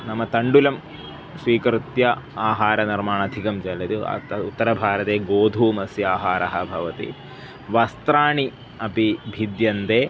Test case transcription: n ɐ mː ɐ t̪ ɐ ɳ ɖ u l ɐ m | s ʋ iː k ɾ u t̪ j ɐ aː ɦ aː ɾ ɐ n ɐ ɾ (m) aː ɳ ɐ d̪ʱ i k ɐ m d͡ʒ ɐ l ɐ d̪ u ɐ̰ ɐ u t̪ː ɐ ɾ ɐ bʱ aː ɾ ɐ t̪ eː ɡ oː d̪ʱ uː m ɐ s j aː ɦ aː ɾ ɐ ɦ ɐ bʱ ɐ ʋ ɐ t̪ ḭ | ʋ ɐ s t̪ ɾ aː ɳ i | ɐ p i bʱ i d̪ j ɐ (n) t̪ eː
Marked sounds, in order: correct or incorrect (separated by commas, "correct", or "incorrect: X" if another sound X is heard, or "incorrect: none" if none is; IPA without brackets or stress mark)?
correct, correct